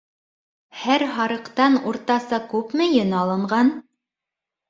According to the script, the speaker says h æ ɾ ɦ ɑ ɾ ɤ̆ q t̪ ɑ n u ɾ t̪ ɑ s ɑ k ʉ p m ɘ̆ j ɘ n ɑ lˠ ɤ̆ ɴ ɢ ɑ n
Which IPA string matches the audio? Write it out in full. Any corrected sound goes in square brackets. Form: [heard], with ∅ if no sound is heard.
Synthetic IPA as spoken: h æ ɾ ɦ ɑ ɾ ɤ̆ q t̪ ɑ n u ɾ t̪ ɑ s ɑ k ʉ p m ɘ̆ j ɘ n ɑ lˠ ɤ̆ ɴ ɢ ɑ n